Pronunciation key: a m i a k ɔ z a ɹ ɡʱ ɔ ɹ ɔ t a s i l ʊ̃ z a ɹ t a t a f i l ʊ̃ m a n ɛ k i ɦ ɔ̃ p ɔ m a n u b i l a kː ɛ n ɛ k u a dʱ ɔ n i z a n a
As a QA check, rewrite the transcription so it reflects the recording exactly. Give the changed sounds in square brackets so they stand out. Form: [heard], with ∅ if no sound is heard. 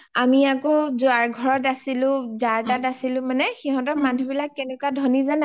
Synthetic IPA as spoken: a m i a k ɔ z a ɹ ɡʱ ɔ ɹ ɔ t a s i l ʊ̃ z a ɹ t a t a [s] i l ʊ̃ m a n ɛ [x] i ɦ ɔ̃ [t] ɔ m a n u b i l a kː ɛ n ɛ k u a dʱ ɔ n i z a n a